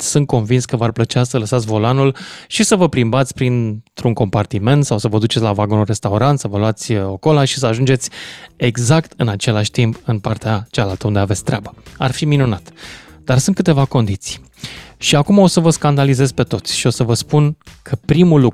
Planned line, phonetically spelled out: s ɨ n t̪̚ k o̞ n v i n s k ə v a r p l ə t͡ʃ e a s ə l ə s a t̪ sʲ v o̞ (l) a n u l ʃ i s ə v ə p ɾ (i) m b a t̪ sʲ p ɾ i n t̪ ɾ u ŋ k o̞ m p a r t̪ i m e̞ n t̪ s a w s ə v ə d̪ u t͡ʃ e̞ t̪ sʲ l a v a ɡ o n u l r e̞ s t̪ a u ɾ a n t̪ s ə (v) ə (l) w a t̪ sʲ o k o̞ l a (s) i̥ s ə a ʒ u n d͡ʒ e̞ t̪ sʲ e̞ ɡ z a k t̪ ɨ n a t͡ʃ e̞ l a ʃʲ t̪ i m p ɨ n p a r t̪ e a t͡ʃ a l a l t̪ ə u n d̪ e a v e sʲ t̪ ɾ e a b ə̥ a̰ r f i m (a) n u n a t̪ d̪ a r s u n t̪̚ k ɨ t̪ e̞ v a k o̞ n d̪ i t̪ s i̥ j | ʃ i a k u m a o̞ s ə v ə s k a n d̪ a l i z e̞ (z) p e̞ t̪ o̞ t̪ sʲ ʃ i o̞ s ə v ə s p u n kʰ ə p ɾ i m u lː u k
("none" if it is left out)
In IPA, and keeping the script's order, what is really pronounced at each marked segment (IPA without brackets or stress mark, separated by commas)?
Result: l, i, v, l, ʃ, i, z